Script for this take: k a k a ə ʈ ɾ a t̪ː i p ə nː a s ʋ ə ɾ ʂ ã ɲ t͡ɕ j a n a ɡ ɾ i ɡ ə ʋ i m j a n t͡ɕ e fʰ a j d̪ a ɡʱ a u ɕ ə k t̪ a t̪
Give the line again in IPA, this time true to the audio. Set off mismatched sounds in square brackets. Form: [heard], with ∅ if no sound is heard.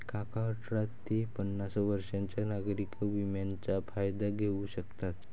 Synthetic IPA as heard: k a k a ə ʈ ɾ a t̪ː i p ə nː a s ʋ ə ɾ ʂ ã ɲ t͡ɕ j a n a ɡ ɾ i [k] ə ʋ i m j a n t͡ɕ [a] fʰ a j d̪ a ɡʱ [e] u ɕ ə k t̪ a t̪